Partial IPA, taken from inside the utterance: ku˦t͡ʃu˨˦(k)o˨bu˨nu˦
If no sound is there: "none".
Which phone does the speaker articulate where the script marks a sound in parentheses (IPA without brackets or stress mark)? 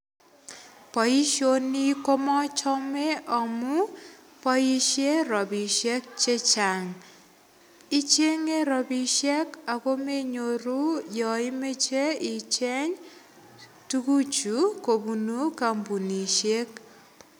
k